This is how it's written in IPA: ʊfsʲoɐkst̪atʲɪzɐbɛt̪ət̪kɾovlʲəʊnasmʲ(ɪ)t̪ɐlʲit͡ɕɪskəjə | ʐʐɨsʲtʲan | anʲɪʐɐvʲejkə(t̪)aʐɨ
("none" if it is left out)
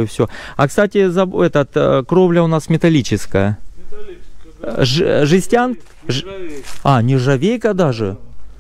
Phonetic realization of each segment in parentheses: ɪ, d̪

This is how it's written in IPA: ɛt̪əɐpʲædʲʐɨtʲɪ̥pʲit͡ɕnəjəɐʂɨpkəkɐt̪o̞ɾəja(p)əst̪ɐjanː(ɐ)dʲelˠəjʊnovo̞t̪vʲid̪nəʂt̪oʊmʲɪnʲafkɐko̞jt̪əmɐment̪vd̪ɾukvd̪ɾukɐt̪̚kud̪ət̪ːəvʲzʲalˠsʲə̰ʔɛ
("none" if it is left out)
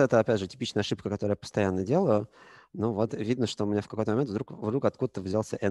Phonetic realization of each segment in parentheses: p, ə

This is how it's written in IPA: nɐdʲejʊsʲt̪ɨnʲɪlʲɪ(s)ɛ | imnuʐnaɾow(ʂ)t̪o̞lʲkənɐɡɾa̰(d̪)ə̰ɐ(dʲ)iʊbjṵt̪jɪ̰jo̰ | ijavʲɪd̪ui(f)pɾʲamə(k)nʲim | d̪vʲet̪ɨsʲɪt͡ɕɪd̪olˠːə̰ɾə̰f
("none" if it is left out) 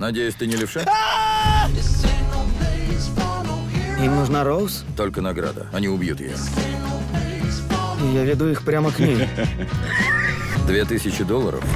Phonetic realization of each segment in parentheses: ʂ, s, d̪, nʲ, x, k

